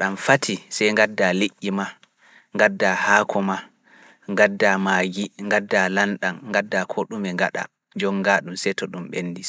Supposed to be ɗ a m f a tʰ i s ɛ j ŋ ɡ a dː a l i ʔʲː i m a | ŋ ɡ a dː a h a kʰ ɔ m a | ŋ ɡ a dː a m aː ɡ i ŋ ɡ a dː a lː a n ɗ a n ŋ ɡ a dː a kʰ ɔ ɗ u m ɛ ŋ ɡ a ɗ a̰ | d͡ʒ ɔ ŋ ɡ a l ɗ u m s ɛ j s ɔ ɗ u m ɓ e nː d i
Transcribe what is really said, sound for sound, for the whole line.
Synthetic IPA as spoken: ɗ a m f a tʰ i s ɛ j ŋ ɡ a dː a l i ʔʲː i m a | ŋ ɡ a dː a h a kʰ ɔ m a | ŋ ɡ a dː a m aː ɡ i ŋ ɡ a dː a l a n ɗ a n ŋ ɡ a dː a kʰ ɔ ɗ u m ɛ ŋ ɡ a ɗ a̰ | d͡ʒ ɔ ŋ ɡ a ɗ u m s ɛ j t ɔ ɗ u m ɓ e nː d i